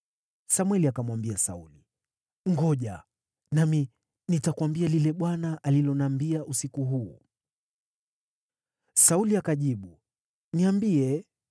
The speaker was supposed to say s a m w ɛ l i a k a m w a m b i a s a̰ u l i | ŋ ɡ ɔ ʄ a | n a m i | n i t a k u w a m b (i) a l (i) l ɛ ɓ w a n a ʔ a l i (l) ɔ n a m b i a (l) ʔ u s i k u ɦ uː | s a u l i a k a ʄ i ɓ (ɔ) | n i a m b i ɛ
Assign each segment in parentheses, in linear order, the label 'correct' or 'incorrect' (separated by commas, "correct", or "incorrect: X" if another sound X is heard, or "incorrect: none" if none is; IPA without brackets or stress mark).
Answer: correct, correct, correct, incorrect: none, incorrect: u